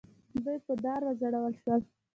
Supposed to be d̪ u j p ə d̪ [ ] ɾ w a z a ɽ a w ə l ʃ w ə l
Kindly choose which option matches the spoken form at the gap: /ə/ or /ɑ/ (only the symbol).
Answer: ɑ